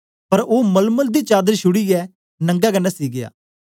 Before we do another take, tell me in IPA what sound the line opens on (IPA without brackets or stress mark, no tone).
p